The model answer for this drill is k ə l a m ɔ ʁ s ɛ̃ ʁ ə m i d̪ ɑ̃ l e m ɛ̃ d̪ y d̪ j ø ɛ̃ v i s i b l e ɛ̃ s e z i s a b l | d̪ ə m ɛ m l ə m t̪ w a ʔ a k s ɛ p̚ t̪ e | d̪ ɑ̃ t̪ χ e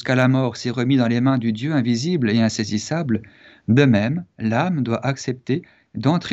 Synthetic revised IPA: k a l a m ɔ ʁ s ɛ ʁ ə m i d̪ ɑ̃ l e m ɛ̃ d̪ y d̪ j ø ɛ̃ v i z i b l e ɛ̃ s e z i s a b l | d̪ ə m ɛ m l a m d̪ w a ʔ a k s ɛ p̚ t̪ e | d̪ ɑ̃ t̪ χ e